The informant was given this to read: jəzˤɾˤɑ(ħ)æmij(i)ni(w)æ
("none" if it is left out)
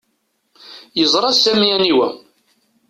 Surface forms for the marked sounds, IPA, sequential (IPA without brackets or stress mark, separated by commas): s, æ, w